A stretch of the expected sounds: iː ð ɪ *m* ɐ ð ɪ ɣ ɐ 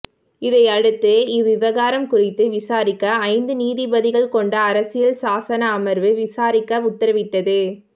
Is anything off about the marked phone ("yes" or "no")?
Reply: yes